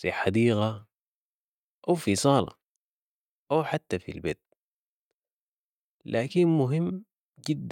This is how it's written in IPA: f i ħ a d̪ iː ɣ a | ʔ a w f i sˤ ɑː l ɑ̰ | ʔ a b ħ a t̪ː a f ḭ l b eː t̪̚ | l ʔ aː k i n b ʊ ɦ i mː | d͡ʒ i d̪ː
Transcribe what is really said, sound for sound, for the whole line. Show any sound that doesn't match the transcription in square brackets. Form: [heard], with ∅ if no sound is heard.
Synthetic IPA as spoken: f i ħ a d̪ iː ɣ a | ʔ a w f i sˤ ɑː l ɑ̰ | ʔ a [w] ħ a t̪ː a f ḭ l b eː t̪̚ | l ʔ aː k i n [m] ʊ ɦ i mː | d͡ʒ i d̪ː